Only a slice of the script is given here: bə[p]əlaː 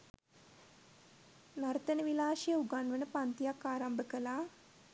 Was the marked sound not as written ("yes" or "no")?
yes